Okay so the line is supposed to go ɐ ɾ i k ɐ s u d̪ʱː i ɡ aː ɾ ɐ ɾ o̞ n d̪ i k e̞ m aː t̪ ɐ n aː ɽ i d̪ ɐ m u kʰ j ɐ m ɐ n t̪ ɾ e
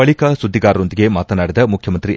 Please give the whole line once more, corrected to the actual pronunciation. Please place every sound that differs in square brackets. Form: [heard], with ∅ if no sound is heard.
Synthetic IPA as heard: ɐ [ɭ] i k ɐ s u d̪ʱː i ɡ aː ɾ ɐ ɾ o̞ n d̪ i [ɡ] e̞ m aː t̪ ɐ n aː ɽ i d̪ ɐ m u kʰ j ɐ m ɐ n t̪ ɾ [i]